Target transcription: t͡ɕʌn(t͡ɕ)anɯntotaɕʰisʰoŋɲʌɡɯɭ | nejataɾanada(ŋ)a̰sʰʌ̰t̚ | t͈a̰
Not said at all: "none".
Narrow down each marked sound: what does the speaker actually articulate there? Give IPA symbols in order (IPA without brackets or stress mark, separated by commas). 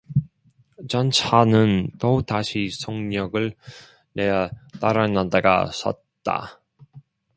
t͡ɕʰ, ɡ